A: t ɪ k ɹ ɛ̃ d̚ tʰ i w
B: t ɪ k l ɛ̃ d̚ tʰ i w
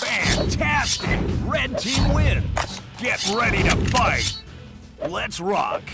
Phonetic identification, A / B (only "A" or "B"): A